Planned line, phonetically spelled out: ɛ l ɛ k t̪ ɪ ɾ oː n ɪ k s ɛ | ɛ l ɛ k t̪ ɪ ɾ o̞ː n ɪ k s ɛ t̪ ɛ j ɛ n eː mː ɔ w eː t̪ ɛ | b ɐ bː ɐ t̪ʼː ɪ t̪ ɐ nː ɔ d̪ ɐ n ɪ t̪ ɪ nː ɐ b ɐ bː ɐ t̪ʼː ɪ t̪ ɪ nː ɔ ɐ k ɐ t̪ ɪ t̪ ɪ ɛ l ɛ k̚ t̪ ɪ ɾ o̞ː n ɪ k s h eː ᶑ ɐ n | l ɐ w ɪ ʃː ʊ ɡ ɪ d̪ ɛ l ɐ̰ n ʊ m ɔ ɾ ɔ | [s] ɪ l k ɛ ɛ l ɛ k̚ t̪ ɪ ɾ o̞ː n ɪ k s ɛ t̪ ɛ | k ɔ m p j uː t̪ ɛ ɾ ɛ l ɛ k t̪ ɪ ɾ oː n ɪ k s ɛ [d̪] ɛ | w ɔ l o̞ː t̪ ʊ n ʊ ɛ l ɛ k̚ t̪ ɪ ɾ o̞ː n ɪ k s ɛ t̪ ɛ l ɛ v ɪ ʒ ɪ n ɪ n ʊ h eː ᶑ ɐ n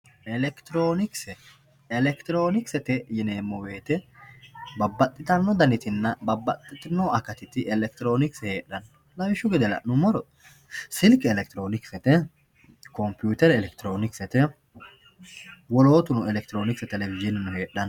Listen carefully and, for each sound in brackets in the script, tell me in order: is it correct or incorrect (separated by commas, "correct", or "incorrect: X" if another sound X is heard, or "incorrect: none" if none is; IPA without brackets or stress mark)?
correct, incorrect: t̪